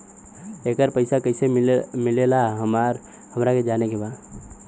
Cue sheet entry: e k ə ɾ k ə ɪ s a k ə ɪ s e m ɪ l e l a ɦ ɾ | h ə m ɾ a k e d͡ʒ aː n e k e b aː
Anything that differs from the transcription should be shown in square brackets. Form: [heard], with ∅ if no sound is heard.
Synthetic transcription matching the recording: e k ə ɾ [p] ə ɪ s a k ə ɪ s e m ɪ l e l a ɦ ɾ | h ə m ɾ a k e d͡ʒ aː n e k e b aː

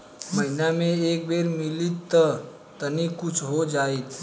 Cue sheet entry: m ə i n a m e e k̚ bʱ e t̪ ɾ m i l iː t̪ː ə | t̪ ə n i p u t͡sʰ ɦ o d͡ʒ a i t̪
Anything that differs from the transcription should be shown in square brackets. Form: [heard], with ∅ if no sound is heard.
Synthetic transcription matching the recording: m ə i n a m e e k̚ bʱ e [∅] ɾ m i l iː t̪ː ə | t̪ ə n i [k] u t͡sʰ ɦ o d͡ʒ a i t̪

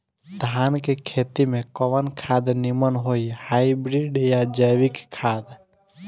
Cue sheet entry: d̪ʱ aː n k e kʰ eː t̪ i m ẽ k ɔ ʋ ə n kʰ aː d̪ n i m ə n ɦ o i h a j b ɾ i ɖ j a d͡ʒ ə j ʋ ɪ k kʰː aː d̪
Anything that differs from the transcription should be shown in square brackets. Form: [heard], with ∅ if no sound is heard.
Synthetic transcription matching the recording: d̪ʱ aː n k e kʰ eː t̪ i m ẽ k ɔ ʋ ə n kʰ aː d̪ n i m ə n ɦ o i h a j b ɾ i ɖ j a d͡ʒ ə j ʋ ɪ k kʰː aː d̪

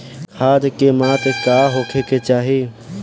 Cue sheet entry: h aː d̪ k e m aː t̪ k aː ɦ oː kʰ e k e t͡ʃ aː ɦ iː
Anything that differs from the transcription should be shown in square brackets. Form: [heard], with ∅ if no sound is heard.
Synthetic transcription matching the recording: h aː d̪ k e m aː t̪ k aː ɦ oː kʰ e k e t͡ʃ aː ɦ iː

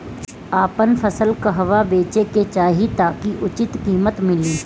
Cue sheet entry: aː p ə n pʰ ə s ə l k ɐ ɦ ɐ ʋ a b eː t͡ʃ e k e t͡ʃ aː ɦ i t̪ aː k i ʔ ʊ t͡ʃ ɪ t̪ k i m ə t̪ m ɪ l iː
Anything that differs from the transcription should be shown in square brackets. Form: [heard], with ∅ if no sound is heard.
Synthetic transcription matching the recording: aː p ə n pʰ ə s ə l k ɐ ɦ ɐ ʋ a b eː t͡ʃ e k e t͡ʃ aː ɦ i t̪ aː k i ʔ ʊ t͡ʃ ɪ t̪ k [iː] m ə t̪ m ɪ l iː

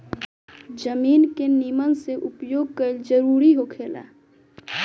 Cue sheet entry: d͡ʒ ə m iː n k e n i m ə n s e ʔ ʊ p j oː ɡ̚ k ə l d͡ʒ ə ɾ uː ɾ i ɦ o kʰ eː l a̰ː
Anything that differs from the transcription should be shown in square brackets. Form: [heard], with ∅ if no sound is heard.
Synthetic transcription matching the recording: d͡ʒ ə m iː n k e n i m ə n s e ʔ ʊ p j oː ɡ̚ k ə l d͡ʒ ə ɾ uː ɾ i ɦ o kʰ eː l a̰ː

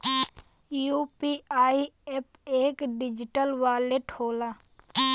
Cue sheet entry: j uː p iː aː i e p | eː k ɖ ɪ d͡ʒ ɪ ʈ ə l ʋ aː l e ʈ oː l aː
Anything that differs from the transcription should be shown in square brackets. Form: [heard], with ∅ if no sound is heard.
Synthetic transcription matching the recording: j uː p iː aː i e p | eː k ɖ ɪ d͡ʒ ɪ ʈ ə l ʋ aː l e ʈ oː l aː

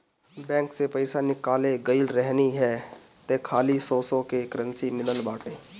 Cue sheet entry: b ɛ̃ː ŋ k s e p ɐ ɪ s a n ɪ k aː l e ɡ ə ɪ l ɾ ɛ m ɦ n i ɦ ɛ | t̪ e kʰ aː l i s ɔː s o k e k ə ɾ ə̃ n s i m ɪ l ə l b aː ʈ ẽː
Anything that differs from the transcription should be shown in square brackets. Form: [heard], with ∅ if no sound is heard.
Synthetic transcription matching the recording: b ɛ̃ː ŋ k s e p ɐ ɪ s a n ɪ k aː l e ɡ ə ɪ l ɾ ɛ [∅] ɦ n i ɦ ɛ | t̪ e kʰ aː l i s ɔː s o k e k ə ɾ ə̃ n s i m ɪ l ə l b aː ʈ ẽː

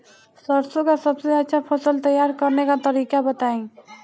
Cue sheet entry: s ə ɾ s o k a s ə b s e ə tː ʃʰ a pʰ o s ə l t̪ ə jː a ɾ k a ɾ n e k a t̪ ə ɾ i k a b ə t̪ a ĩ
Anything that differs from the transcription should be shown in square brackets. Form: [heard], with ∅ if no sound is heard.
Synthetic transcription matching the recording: s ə ɾ s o k a s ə b s e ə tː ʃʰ a pʰ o s ə l t̪ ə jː a ɾ k [ə] ɾ n e k a t̪ ə ɾ i k a b ə t̪ a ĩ

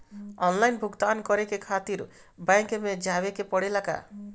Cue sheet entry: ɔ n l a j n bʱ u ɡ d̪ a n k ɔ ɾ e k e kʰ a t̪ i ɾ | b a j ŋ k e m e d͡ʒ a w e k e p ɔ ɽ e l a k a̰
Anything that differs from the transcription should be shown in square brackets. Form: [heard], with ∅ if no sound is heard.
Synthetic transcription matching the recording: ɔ n l a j n bʱ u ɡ [t̪] a n k ɔ ɾ e k e kʰ a t̪ i ɾ | b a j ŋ k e m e d͡ʒ a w e k e p ɔ ɽ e l a k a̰

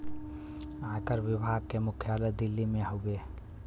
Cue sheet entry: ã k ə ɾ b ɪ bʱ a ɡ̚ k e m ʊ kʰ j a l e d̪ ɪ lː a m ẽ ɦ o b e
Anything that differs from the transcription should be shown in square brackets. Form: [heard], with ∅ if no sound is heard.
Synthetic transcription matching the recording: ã k ə ɾ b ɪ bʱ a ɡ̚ k e m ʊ kʰ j a l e d̪ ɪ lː [i] m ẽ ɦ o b e

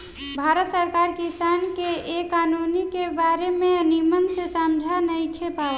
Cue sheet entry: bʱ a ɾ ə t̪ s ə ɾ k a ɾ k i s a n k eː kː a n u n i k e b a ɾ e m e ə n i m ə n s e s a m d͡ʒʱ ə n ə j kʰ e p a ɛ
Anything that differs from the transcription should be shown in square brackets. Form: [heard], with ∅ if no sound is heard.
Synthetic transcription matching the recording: bʱ a ɾ ə t̪ s ə ɾ k a ɾ k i s a n k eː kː a n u n i k e b a ɾ e m e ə n i m ə n s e s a m d͡ʒʱ [a] n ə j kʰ e p a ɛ

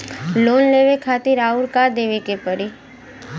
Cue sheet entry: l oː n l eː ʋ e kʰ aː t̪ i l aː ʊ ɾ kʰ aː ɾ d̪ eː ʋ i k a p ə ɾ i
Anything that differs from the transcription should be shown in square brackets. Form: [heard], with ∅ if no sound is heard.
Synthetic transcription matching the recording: l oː n l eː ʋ e kʰ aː t̪ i [ɾ] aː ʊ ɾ [k] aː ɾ d̪ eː ʋ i k [e] p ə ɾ i

